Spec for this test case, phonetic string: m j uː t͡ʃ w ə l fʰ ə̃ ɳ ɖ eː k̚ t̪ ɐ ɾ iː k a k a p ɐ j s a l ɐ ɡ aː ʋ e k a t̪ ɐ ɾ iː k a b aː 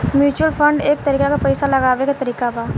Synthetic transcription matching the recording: m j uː t͡ʃ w ə l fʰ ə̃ ɳ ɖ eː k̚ t̪ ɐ ɾ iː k a k a p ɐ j s a l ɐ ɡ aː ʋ e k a t̪ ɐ ɾ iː k a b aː